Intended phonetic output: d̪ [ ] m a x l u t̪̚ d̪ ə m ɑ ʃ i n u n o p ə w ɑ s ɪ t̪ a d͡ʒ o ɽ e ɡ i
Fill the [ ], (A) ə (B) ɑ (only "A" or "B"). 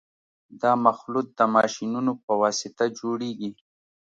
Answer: B